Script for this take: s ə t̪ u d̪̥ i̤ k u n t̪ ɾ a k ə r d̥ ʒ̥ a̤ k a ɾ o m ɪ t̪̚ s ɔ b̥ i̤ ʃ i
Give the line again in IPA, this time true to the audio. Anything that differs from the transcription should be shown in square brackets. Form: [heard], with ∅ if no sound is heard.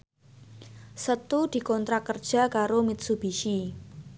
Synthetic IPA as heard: s ə t̪ u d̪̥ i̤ k [ɔ] n t̪ ɾ a k ə r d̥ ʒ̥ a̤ k a ɾ o m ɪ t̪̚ s [u] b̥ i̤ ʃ i